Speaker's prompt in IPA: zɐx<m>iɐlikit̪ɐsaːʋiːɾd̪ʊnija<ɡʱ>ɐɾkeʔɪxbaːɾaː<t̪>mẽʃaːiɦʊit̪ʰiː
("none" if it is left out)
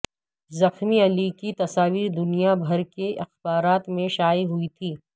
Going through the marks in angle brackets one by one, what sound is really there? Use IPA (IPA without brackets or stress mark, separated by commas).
m, bʱ, t̪